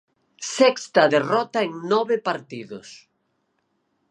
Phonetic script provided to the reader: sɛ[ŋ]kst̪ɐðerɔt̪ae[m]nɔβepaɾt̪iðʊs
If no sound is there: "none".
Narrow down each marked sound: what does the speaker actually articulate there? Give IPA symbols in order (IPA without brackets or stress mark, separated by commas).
none, ŋ